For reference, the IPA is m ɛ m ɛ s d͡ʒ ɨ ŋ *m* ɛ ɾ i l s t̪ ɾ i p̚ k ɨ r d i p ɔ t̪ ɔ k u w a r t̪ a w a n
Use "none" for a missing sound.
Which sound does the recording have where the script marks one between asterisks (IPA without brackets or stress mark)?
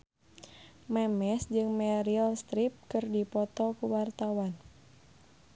m